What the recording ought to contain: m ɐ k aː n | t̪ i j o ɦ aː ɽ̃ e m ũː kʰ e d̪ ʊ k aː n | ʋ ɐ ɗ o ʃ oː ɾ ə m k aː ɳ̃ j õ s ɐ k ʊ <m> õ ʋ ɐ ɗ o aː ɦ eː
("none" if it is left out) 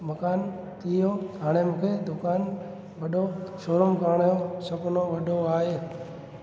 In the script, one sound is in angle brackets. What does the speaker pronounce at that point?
n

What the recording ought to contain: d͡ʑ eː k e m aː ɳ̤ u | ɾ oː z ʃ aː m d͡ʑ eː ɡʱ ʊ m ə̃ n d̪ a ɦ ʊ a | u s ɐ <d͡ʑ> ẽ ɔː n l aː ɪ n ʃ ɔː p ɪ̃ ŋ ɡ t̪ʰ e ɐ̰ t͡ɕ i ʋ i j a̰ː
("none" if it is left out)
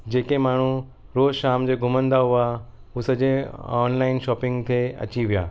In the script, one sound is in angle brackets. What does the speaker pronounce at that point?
d͡ʑ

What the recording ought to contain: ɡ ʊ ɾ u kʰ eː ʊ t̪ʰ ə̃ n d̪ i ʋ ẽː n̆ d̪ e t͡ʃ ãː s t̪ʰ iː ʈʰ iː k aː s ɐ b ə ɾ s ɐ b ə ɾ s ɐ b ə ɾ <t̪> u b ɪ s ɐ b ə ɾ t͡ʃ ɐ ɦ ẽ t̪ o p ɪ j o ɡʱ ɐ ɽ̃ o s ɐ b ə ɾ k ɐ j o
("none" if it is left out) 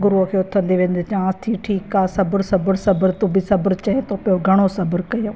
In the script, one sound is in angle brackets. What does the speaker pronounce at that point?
t̪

